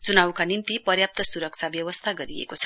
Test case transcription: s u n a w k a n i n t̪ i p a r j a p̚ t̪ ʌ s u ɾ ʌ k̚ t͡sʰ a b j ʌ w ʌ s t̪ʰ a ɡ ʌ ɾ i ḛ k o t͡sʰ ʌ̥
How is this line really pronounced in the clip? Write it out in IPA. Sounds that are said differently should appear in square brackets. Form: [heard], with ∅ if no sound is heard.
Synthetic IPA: [t͡s] u n a w k a n i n t̪ i p [ʌ] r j a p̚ t̪ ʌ s u ɾ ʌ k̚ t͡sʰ a b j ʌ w ʌ s t̪ʰ a ɡ ʌ ɾ i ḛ k o t͡sʰ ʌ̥